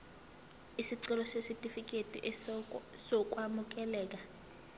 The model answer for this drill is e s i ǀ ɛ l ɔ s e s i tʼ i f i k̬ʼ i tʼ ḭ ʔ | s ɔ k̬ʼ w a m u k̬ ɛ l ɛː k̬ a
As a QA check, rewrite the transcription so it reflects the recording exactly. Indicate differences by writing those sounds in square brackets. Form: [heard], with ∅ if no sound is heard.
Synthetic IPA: [i] s i ǀ ɛ l ɔ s e s i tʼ i f i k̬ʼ [e] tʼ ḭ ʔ | s ɔ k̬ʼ w a m u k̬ ɛ l ɛː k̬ a